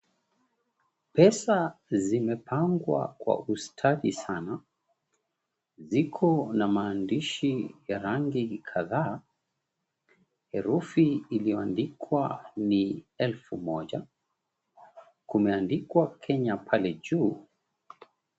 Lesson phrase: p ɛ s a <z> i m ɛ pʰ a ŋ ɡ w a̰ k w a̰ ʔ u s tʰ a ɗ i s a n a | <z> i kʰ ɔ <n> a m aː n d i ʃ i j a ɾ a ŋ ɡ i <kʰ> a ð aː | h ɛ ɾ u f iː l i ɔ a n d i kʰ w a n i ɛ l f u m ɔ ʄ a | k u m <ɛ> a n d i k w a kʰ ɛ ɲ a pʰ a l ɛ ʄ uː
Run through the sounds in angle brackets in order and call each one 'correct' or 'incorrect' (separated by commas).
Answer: correct, correct, correct, correct, correct